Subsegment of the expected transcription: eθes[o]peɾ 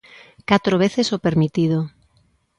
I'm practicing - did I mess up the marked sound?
no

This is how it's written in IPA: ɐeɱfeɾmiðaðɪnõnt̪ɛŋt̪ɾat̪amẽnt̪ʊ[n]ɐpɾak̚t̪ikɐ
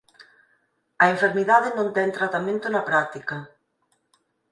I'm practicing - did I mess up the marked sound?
no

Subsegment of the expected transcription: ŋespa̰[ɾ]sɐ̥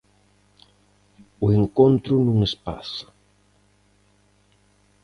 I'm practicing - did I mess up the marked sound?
yes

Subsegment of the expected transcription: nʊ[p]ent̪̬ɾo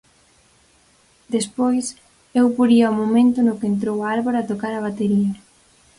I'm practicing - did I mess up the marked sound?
yes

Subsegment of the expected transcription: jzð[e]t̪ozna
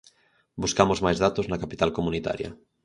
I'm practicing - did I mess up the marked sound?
yes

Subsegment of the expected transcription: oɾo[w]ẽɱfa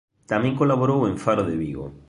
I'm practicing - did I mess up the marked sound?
no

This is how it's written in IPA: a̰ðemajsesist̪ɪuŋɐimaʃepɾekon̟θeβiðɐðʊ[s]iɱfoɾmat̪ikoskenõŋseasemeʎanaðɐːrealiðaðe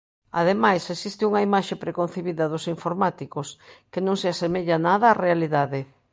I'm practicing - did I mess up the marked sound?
no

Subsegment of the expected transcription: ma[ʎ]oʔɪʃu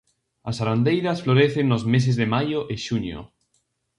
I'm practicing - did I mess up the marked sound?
yes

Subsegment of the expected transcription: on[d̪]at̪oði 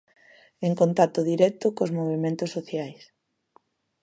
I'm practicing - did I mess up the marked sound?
yes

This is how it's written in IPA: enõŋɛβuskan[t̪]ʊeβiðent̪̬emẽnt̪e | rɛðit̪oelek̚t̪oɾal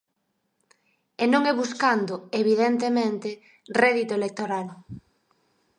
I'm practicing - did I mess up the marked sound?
yes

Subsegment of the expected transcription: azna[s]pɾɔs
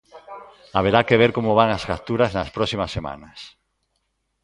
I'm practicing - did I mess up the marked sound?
no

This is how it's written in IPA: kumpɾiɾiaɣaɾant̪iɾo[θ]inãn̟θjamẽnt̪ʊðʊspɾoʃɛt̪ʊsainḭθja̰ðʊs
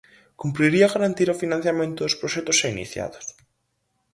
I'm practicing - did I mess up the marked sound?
yes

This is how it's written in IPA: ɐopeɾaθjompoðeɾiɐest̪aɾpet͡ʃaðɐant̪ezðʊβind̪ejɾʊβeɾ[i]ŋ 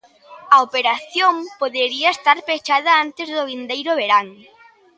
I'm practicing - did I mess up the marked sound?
yes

